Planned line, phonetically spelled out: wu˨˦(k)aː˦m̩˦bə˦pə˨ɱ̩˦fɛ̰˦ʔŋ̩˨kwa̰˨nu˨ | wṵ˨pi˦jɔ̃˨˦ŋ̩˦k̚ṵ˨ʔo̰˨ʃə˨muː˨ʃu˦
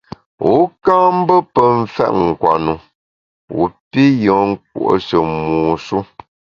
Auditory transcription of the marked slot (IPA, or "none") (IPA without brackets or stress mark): k